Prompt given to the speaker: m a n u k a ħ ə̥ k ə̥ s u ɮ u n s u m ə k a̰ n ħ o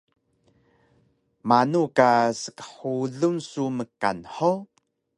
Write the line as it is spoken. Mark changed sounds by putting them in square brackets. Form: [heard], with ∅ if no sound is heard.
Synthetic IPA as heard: m a n u k a [s] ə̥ k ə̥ [ħ] u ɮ u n s u m ə k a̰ n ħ o